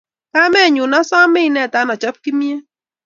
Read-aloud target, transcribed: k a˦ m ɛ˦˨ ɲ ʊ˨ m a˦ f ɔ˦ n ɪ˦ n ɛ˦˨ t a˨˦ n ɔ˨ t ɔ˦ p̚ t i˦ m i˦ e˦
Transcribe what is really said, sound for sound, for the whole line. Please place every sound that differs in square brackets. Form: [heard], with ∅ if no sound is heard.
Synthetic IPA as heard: k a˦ m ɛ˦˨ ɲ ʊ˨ [n] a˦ [s] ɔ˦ [m] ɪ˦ n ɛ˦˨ t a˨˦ n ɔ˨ [t͡ʃ] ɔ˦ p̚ [k] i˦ m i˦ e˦